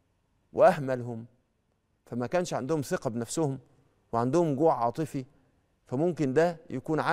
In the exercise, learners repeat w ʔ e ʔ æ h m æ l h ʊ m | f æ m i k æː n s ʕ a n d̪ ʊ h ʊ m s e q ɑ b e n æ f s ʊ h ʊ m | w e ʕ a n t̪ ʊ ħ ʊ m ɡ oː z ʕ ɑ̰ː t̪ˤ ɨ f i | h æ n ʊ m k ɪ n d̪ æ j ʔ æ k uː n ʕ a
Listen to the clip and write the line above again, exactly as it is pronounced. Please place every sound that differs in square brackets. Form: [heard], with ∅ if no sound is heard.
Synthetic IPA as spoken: w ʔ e ʔ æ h m æ l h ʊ m | f æ m [æ] k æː n [ʃ] ʕ a n d̪ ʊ h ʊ m s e q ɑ b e n æ f s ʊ h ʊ m | w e ʕ a n [d̪] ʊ [h] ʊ m ɡ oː [ʕ] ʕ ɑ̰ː t̪ˤ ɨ f i | [f] æ [m] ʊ m k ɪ n d̪ æ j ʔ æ k uː n ʕ a

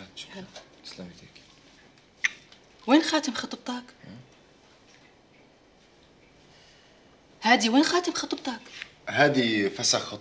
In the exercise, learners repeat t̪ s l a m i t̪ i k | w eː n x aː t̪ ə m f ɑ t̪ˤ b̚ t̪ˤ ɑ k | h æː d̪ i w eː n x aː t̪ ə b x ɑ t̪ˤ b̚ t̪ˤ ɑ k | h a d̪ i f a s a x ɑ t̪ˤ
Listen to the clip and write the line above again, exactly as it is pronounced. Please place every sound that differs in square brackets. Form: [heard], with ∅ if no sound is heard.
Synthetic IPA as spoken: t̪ s l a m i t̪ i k | w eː n x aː t̪ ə m [x] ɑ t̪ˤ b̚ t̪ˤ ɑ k | h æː d̪ i w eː n x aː t̪ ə [m] x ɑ t̪ˤ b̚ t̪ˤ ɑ k | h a d̪ i f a s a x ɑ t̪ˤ

